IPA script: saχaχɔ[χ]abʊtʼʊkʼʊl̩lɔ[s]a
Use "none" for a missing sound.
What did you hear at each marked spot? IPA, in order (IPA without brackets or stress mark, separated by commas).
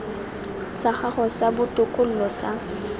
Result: s, s